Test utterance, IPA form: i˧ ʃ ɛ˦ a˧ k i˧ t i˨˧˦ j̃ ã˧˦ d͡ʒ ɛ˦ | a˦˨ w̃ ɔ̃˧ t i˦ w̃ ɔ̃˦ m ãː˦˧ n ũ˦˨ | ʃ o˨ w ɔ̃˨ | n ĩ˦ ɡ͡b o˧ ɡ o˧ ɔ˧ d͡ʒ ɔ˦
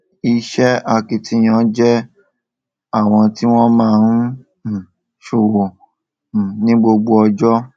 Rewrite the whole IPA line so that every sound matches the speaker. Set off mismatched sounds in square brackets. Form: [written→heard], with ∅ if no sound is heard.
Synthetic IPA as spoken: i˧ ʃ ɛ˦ a˧ k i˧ t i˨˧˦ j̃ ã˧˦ d͡ʒ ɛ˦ | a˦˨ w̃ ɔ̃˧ t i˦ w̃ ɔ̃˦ m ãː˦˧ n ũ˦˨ | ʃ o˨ w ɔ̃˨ | n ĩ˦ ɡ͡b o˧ [ɡ→ɡ͡b] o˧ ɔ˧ d͡ʒ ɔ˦